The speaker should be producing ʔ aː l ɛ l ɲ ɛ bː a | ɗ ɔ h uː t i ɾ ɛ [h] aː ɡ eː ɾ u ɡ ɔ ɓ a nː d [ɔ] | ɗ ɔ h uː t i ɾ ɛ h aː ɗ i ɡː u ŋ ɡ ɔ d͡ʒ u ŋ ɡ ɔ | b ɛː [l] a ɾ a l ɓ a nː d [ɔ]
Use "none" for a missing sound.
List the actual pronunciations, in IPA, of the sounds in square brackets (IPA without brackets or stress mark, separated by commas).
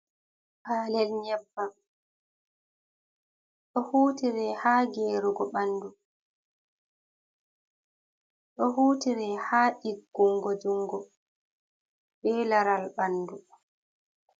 h, u, l, u